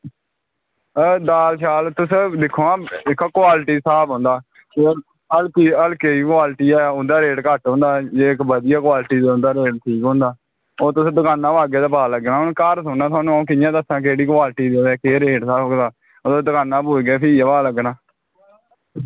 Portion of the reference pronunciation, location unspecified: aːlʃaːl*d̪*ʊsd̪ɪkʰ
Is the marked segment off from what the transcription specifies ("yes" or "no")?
yes